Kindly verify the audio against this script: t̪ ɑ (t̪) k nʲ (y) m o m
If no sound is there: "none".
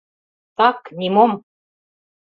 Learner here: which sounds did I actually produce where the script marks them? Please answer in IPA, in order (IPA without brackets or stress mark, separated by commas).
none, i